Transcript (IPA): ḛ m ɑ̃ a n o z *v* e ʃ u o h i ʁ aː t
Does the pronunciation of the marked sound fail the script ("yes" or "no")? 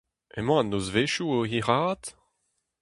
no